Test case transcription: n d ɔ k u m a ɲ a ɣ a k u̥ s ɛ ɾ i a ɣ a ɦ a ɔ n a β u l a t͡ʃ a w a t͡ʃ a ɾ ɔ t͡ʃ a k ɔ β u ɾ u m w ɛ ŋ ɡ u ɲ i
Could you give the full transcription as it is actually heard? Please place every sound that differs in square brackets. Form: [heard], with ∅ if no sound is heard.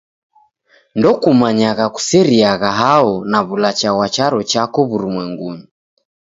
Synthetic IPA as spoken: n d ɔ k u m a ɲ a ɣ a k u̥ s ɛ ɾ i a ɣ a ɦ a ɔ n a β u l a t͡ʃ a w a t͡ʃ a ɾ ɔ t͡ʃ a k ɔ β u ɾ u m w ɛ ŋ ɡ u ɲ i